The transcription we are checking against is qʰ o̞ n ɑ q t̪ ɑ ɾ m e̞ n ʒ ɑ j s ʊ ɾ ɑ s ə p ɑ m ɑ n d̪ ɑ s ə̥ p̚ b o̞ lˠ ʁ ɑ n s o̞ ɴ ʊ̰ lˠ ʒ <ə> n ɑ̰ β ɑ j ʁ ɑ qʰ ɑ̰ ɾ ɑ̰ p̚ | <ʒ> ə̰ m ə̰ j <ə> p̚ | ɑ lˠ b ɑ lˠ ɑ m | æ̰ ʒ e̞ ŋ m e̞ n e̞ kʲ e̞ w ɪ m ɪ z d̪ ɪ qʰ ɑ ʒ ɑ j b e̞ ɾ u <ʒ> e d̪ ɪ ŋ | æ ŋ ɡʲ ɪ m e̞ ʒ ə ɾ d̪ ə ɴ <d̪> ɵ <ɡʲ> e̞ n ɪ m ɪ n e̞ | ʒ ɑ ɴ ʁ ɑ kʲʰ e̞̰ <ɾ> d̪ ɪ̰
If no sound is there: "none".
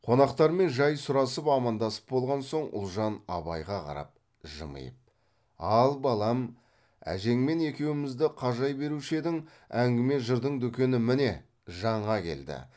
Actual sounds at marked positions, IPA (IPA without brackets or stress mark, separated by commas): ɑ, ʒ, ə, ʃ, d̪, kʲ, l